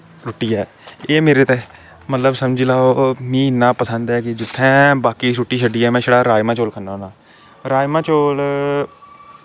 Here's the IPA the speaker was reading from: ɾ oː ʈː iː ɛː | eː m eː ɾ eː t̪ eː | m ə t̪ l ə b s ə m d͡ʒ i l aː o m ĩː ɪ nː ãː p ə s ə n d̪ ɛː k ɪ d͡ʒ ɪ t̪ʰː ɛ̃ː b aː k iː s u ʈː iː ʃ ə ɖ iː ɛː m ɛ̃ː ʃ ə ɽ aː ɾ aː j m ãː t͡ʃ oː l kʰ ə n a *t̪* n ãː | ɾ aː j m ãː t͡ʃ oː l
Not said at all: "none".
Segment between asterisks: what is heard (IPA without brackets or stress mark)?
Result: none